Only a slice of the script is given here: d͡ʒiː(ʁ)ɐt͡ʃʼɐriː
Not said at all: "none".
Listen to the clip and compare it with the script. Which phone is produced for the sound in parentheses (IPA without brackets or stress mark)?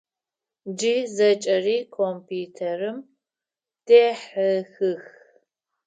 z